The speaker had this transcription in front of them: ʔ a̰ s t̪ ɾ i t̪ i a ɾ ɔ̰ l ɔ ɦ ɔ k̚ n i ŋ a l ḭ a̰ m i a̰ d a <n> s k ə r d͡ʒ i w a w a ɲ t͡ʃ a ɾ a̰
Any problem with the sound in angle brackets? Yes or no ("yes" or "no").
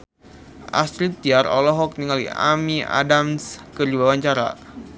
yes